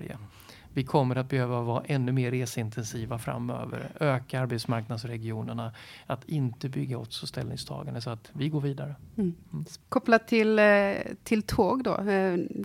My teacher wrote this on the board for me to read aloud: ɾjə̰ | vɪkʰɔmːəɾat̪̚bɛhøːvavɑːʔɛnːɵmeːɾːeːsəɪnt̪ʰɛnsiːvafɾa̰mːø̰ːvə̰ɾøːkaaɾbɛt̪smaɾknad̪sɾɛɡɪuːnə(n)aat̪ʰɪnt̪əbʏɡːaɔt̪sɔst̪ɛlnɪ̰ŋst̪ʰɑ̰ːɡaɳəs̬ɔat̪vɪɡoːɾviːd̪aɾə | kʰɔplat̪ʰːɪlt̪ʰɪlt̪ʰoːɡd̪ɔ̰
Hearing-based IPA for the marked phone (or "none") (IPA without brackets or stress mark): ɳ